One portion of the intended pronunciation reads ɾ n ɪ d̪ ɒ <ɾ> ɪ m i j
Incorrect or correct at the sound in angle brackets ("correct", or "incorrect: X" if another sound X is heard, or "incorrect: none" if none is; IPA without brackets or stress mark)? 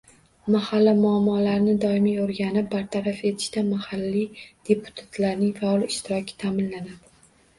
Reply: incorrect: none